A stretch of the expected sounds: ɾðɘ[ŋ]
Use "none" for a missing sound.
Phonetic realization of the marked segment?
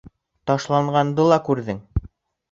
ŋ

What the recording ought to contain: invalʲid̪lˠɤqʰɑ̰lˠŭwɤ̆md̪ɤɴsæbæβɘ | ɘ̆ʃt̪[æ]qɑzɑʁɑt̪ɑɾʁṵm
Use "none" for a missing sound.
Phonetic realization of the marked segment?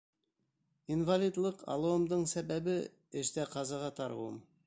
æ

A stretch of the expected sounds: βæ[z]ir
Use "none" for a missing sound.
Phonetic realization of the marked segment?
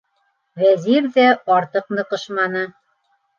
z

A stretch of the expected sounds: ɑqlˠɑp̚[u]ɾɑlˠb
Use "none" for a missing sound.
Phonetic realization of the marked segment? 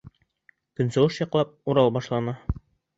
u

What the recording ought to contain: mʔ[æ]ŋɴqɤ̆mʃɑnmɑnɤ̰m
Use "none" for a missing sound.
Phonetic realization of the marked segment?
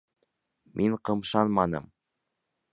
i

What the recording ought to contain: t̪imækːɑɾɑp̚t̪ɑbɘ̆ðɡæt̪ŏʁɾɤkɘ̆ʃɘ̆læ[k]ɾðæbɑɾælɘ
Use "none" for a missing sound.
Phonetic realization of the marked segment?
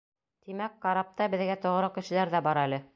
none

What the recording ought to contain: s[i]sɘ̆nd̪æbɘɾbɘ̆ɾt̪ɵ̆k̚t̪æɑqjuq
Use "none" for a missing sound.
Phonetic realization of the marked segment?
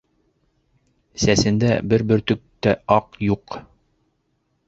æ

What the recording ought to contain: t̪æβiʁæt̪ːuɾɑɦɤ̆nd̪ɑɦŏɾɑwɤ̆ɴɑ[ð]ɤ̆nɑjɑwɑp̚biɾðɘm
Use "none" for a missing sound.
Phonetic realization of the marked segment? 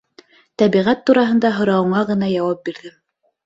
ʁ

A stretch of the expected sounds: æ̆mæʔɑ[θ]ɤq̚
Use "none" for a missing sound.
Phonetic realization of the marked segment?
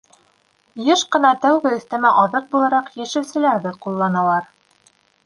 ð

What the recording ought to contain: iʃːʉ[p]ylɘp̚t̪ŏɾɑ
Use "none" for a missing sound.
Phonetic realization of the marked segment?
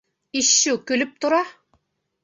k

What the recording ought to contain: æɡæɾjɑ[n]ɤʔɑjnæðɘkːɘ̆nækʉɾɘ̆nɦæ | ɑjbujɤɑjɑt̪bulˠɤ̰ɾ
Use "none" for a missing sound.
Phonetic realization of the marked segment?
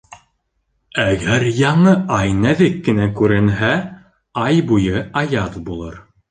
ɴ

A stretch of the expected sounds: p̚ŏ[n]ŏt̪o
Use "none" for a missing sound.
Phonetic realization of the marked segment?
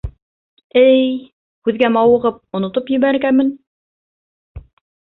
n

